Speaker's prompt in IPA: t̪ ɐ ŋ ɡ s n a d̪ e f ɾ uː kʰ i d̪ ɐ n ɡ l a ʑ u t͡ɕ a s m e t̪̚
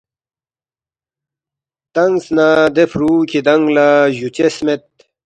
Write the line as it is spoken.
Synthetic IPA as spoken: t̪ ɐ ŋ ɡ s n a d̪ e f ɾ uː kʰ i d̪ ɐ ŋ ɡ l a ʑ u t͡ɕ e s m e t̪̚